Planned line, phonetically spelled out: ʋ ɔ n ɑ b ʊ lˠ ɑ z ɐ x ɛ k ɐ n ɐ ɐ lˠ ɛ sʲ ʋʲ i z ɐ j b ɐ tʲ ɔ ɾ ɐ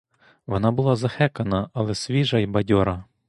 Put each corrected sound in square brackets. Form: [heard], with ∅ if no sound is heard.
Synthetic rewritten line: ʋ ɔ n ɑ b ʊ lˠ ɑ z ɐ x ɛ k ɐ n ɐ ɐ lˠ ɛ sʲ ʋʲ i [ʒ] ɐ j b ɐ [dʲ] ɔ ɾ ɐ